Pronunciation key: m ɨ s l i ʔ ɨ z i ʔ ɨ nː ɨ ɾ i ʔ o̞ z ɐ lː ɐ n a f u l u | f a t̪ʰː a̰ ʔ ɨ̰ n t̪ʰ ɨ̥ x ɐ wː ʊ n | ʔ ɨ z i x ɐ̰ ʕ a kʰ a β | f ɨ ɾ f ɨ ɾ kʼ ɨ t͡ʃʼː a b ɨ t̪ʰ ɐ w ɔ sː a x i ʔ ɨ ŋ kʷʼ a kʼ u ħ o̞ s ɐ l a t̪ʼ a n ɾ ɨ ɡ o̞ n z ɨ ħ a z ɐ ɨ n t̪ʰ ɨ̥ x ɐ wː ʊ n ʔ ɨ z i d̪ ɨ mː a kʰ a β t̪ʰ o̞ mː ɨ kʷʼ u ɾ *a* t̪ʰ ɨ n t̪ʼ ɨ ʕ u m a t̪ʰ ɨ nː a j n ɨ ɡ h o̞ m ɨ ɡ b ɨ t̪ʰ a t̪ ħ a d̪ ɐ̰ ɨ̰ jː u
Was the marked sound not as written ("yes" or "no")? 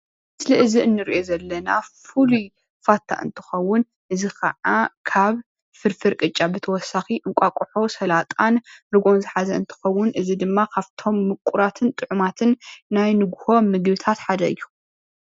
no